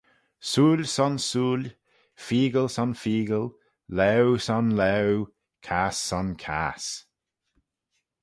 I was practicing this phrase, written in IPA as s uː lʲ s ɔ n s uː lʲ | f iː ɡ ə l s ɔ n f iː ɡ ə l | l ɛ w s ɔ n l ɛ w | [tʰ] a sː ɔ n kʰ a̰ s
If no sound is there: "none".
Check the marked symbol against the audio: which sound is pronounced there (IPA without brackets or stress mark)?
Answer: kʰ